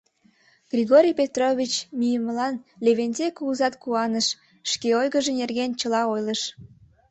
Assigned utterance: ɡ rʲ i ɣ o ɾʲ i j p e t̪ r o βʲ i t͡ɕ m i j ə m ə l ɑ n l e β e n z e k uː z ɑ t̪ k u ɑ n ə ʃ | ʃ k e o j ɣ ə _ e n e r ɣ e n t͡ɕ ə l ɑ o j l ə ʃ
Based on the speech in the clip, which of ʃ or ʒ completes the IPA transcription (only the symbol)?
ʒ